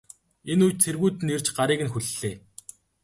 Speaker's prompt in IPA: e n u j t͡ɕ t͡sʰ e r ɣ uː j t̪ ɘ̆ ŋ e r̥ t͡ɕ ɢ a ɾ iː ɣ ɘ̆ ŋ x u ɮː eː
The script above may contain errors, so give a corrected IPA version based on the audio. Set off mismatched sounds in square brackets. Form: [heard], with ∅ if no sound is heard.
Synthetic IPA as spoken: e n u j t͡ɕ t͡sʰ e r ɣ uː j t̪ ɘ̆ [n] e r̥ t͡ɕ ɢ a ɾ iː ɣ ɘ̆ [n] x u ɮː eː